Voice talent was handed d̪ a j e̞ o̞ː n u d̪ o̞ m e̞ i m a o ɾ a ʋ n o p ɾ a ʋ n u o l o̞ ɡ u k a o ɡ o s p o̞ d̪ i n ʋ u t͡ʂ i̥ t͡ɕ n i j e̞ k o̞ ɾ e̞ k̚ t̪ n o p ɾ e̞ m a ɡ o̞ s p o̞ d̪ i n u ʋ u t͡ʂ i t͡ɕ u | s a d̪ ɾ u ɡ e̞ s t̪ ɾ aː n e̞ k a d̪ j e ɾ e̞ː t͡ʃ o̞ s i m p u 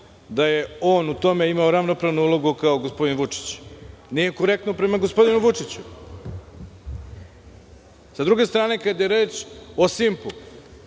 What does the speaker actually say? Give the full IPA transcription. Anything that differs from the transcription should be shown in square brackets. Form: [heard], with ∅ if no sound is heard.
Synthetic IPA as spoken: d̪ a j e̞ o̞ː n u [t̪] o̞ m e̞ i m a o ɾ a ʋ n o p ɾ a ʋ n u [u] l o̞ ɡ u k a o ɡ o s p o̞ d̪ i n ʋ u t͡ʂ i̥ t͡ɕ n i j e̞ k o̞ ɾ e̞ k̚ t̪ n o p ɾ e̞ m a ɡ o̞ s p o̞ d̪ i n u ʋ u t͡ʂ i t͡ɕ u | s a d̪ ɾ u ɡ e̞ s t̪ ɾ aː n e̞ k a d̪ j e ɾ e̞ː t͡ʃ o̞ s i m p u